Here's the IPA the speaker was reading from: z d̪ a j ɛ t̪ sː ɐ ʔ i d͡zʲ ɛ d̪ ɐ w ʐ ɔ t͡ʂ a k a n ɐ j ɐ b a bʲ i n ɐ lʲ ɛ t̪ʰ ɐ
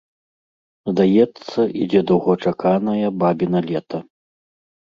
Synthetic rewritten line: z d̪ a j ɛ t̪ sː ɐ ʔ i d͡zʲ ɛ d̪ ɐ w ɣ ɔ t͡ʂ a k a n ɐ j ɐ b a bʲ i n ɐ lʲ ɛ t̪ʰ ɐ